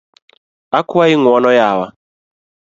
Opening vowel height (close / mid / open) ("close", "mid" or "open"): open